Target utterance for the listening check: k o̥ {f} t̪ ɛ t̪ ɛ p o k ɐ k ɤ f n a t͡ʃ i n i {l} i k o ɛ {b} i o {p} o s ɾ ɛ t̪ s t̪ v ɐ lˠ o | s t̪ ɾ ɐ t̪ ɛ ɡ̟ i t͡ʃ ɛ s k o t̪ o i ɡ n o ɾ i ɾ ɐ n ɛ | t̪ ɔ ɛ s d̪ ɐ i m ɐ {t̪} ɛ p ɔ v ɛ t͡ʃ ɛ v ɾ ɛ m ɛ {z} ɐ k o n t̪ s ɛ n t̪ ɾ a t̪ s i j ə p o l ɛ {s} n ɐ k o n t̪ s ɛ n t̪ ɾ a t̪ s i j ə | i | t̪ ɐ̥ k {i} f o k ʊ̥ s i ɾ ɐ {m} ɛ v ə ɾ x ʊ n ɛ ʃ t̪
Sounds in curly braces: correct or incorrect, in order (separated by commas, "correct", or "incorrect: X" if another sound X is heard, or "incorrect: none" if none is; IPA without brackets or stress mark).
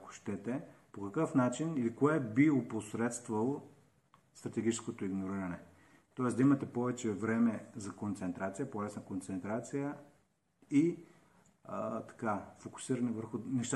incorrect: ʃ, correct, correct, correct, correct, correct, correct, incorrect: a, incorrect: n